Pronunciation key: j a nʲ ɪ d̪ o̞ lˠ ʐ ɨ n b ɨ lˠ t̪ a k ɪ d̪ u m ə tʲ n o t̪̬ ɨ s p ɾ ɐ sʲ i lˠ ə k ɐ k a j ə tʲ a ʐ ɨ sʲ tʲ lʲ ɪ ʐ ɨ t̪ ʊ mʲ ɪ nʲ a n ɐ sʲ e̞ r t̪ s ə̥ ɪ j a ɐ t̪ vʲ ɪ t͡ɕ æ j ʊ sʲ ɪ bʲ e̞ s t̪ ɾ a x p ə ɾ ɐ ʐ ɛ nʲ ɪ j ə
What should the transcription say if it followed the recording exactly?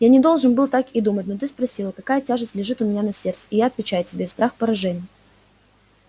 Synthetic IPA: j a nʲ ɪ d̪ o̞ lˠ ʐ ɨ n b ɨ lˠ t̪ a k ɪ d̪ u m ə tʲ n o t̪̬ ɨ s p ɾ ɐ sʲ i lˠ ə k ɐ k a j ə tʲ a ʐ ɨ sʲ tʲ lʲ ɪ ʐ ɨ t̪ ʊ mʲ ɪ nʲ a n ɐ sʲ e̞ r t̪ s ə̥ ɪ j a ɐ t̪ vʲ ɪ t͡ɕ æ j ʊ tʲ ɪ bʲ e̞ s t̪ ɾ a x p ə ɾ ɐ ʐ ɛ nʲ ɪ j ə

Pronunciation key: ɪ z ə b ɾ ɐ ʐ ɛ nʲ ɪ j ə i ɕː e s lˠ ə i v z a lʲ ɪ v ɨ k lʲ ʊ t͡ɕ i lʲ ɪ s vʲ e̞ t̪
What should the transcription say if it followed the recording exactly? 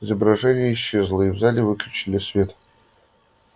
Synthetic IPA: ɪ z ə b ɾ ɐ ʐ ɛ nʲ ɪ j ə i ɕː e z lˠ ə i v z a lʲ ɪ v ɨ k lʲ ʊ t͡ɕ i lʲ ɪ s vʲ e̞ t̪

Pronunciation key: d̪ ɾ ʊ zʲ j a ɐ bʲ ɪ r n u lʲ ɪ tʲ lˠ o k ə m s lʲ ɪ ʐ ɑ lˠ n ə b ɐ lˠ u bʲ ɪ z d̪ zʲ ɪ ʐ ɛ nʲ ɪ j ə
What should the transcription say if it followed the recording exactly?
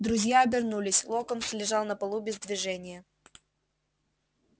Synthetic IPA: d̪ ɾ ʊ zʲ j a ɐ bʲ ɪ r n u lʲ ɪ sʲ lˠ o k ə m s lʲ ɪ ʐ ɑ lˠ n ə p ɐ lˠ u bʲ ɪ z d̪ vʲ ɪ ʐ ɛ nʲ ɪ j ə

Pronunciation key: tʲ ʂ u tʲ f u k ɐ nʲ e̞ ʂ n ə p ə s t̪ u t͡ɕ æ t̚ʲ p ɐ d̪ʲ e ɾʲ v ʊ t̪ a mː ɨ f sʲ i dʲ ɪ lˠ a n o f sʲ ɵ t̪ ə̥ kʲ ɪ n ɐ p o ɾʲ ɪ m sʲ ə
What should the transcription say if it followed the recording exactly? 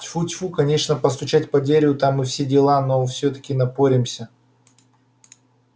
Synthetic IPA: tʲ f u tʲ f u k ɐ nʲ e̞ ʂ n ə p ə s t̪ ʊ t͡ɕ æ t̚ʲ p ɐ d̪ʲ e ɾʲ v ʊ t̪ a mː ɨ f sʲ e dʲ ɪ lˠ a n o f sʲ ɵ t̪ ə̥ kʲ ɪ n ɐ p o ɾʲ ɪ m sʲ ə

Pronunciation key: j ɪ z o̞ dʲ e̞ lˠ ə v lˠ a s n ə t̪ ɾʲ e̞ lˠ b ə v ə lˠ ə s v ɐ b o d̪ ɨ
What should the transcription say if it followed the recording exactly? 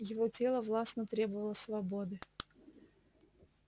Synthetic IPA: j ɪ v o̞ tʲ e̞ lˠ ə v lˠ a s n ə t̪ ɾʲ e̞ b ə v ə lˠ ə s v ɐ b o d̪ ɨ

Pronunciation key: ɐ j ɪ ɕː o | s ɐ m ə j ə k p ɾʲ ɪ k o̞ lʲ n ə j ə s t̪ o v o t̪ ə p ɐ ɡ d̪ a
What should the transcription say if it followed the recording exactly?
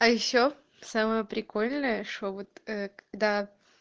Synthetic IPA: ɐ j ɪ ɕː o | s a m ə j ə p ɾʲ ɪ k o̞ lʲ n ə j ə ʂ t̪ o v o t̪ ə k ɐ ɡ d̪ a

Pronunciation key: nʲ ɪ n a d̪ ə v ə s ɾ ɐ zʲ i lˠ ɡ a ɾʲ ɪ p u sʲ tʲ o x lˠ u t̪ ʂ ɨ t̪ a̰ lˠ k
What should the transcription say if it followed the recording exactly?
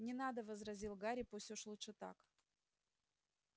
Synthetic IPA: nʲ ɪ n a d̪ ə v ə z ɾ ɐ zʲ i lˠ ɡ a ɾʲ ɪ p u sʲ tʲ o ʂ lˠ u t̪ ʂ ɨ t̪ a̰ k

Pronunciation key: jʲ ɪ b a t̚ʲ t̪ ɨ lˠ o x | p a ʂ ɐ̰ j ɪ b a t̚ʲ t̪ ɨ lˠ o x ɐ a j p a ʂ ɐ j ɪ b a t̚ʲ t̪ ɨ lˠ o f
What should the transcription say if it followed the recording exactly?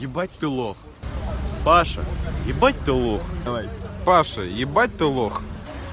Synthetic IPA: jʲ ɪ b a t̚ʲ t̪ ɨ lˠ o x | p a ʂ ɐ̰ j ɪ b a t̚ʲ t̪ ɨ lˠ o x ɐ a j p a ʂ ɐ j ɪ b a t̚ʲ t̪ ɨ lˠ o x

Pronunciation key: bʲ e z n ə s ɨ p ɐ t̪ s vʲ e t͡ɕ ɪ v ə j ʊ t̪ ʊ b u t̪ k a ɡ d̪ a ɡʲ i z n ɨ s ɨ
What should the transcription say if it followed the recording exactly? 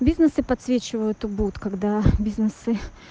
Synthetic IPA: bʲ i z n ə s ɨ p ɐ t̪ s vʲ e t͡ɕ ɪ v ə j ʊ t̪ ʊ b u t̪ k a ɡ d̪ a bʲ i z n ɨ s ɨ

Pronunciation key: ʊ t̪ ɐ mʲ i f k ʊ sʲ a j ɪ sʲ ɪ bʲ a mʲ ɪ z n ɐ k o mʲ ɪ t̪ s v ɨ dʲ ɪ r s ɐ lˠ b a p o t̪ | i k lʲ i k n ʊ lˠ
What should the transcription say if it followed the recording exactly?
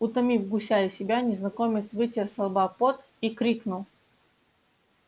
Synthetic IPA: ʊ t̪ ɐ mʲ i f ɡ ʊ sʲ a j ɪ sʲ ɪ bʲ a nʲ ɪ z n ɐ k o mʲ ɪ t̪ s v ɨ tʲ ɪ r s ɐ lˠ b a p o t̪ | i k ɾʲ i k n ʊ lˠ

